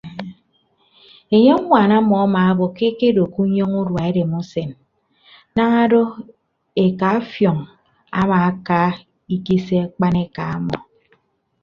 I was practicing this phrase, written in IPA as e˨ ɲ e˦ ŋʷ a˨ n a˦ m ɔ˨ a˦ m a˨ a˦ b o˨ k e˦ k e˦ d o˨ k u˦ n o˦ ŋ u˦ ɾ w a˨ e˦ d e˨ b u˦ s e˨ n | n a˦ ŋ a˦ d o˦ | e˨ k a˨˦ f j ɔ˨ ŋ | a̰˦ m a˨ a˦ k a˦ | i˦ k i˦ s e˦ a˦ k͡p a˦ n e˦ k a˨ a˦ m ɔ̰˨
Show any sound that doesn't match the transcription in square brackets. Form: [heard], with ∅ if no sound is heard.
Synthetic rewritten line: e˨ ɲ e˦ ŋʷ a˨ n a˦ m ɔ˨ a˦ m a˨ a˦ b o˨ k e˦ k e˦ d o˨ k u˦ [ɲ] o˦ ŋ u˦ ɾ w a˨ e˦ d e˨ [m] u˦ s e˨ n | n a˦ ŋ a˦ d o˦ | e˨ k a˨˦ f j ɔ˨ ŋ | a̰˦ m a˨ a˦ k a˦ | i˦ k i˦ s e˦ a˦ k͡p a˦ n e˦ k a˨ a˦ m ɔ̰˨